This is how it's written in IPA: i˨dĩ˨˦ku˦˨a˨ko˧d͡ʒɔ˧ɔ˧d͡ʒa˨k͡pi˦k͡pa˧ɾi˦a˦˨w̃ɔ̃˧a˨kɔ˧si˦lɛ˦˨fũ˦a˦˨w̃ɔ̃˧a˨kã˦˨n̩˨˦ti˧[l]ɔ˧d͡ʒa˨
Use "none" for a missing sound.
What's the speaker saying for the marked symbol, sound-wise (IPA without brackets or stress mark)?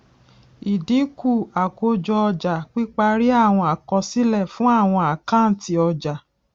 none